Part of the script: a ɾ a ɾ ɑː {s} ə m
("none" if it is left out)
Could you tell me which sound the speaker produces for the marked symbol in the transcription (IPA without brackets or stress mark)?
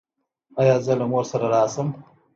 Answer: s